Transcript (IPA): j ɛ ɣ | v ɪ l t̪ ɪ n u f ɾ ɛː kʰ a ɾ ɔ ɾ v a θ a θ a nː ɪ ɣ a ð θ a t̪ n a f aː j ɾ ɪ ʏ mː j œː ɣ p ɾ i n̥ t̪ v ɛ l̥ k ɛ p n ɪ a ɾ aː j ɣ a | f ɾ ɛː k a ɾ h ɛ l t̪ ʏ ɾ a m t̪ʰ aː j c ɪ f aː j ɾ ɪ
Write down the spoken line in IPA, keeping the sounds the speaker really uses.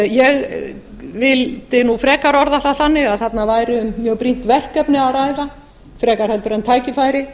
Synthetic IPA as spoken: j ɛ ɣ | v ɪ l t̪ ɪ n u f ɾ ɛː k a ɾ ɔ ɾ ð a θ a θ a nː ɪ ɣ a ð θ a t̪ n a v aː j ɾ ɪ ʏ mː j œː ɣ p ɾ i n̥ t̪ v ɛ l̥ k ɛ p n ɪ a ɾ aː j ð a | f ɾ ɛː k a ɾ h ɛ l t̪ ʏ ɾ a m t̪ʰ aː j c ɪ f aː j ɾ ɪ